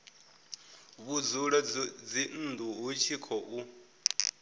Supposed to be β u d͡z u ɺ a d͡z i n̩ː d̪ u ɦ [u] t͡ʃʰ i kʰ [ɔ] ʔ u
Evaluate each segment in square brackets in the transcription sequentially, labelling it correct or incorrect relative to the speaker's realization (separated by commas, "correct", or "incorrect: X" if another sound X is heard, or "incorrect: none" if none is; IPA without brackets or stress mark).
correct, correct